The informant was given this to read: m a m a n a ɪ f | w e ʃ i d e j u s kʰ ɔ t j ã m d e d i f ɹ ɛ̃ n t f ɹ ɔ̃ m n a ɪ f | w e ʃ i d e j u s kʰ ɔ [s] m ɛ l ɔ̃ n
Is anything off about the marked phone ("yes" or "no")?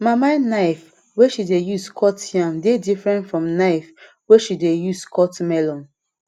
yes